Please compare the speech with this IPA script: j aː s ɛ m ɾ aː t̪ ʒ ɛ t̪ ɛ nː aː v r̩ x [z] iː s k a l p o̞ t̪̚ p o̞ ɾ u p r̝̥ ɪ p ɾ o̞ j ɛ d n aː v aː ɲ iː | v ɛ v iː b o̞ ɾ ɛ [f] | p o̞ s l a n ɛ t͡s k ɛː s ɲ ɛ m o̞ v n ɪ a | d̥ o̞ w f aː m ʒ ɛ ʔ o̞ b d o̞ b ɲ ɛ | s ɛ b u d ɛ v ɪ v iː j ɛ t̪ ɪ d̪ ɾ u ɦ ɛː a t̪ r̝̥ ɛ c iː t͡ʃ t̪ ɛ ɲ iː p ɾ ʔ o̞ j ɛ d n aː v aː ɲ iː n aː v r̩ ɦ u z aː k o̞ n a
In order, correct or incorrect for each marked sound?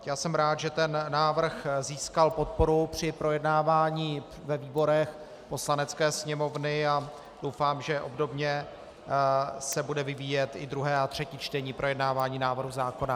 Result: correct, incorrect

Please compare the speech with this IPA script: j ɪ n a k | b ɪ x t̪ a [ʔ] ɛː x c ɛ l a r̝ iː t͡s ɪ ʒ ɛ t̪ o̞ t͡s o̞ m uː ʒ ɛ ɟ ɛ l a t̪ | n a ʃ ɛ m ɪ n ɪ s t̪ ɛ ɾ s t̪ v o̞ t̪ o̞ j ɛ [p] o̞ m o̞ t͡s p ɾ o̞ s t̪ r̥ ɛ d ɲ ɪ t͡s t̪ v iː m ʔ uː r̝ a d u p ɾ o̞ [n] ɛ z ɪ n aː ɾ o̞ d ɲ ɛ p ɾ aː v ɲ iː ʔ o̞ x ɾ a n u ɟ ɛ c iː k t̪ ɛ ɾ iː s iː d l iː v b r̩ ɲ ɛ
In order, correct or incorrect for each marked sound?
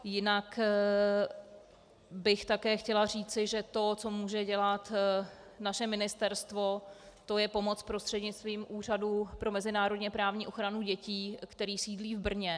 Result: incorrect, correct, incorrect

